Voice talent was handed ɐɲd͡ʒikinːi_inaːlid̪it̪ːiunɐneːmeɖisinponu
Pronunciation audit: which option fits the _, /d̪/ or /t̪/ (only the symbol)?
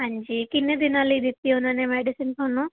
d̪